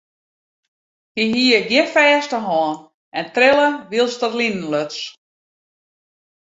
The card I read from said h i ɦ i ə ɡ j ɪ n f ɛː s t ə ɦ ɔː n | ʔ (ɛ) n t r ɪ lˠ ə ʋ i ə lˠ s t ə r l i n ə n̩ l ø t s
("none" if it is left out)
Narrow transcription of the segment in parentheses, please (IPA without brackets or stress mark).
ɛ